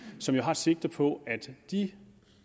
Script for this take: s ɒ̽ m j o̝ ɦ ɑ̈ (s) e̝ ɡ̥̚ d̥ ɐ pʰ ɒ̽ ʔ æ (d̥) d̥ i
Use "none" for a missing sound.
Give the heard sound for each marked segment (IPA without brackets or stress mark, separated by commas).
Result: s, d̥